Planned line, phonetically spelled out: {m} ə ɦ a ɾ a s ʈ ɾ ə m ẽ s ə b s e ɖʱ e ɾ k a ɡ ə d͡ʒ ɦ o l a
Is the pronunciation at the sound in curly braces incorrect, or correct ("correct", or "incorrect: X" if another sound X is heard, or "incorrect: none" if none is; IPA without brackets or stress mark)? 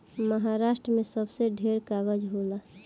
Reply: correct